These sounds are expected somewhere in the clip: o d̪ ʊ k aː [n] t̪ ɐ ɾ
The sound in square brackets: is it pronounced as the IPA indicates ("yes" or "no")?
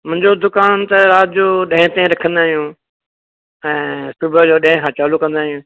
yes